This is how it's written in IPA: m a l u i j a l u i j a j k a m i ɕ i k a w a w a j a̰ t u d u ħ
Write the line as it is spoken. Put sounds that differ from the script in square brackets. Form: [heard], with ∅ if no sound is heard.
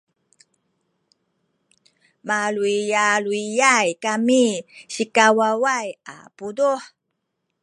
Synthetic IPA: m a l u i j a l u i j a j k a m i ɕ i k a w a w a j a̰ [p] u d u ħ